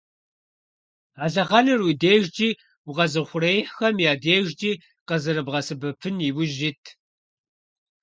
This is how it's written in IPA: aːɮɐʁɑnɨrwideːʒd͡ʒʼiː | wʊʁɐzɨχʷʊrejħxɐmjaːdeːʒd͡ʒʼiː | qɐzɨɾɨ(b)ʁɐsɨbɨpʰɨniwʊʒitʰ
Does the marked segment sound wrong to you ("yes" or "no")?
no